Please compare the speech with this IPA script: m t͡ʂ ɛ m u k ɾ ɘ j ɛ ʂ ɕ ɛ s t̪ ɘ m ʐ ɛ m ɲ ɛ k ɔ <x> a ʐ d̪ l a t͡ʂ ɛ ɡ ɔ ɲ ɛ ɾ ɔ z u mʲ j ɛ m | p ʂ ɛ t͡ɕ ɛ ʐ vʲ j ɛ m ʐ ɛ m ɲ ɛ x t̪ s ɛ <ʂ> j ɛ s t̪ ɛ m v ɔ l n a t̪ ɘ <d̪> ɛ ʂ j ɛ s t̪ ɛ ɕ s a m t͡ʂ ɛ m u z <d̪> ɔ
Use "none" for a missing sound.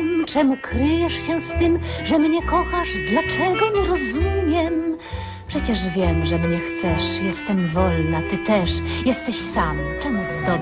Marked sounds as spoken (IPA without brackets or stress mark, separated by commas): x, ʂ, t̪, d̪